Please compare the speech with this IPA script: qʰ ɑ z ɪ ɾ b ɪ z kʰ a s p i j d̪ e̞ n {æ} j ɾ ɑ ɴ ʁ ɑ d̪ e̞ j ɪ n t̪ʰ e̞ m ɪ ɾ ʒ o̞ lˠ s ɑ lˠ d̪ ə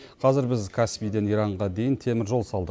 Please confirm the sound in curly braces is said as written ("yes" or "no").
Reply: no